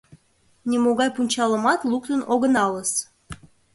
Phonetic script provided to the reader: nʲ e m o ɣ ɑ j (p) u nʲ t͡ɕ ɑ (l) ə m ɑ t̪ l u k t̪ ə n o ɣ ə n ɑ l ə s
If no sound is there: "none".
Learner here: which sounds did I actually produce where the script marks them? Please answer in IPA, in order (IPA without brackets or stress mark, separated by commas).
p, l